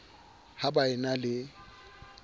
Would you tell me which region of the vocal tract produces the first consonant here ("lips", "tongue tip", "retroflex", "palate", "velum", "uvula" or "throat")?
throat